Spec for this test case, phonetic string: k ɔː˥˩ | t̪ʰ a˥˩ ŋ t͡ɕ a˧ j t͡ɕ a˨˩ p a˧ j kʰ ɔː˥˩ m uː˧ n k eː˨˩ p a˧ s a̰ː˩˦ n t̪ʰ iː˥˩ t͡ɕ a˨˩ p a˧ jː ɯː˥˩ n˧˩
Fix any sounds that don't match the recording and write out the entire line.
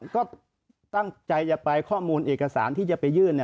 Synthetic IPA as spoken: k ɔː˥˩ | t̪ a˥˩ ŋ t͡ɕ a˧ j t͡ɕ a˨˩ p a˧ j kʰ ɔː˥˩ m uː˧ n ʔ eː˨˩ k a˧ s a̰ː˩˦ n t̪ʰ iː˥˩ t͡ɕ a˨˩ p a˧ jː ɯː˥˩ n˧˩